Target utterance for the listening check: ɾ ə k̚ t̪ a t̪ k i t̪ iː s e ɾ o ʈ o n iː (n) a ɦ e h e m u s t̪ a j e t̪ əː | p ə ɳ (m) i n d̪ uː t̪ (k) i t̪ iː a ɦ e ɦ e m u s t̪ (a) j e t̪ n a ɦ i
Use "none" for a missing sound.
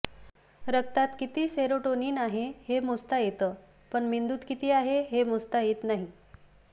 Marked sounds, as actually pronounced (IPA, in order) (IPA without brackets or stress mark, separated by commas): n, m, k, a